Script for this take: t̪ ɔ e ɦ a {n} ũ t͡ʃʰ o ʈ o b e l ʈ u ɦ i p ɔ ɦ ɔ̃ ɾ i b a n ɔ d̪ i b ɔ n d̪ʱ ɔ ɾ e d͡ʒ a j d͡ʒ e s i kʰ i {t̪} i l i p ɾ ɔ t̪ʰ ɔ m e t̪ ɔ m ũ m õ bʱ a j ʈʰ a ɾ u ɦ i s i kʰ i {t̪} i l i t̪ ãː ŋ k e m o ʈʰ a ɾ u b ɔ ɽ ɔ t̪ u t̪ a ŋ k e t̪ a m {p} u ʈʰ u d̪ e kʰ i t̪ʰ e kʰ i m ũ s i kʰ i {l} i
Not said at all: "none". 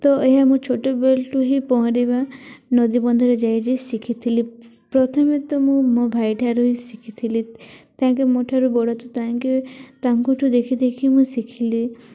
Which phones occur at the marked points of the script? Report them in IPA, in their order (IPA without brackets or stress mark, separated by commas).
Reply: m, t̪ʰ, t̪ʰ, k, l